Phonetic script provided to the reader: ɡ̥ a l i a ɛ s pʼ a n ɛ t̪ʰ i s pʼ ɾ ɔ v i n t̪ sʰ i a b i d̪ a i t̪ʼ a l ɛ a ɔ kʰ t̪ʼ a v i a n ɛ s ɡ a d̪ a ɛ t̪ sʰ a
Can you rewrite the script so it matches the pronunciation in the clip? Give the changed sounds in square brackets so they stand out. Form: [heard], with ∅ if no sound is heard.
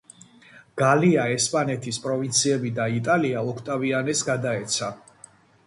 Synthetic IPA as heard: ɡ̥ a l i a ɛ s pʼ a n ɛ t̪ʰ i s pʼ ɾ ɔ v i n t̪ sʰ i [ɛ] b i d̪ a i t̪ʼ a l [i] a ɔ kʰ t̪ʼ a v i a n ɛ s ɡ a d̪ a ɛ t̪ sʰ a